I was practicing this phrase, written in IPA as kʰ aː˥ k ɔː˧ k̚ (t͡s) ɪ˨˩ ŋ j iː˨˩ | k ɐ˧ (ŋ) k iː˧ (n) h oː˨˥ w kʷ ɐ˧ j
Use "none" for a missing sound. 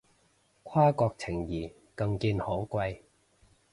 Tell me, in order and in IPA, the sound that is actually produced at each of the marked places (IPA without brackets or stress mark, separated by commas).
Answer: t͡sʰ, ŋ, n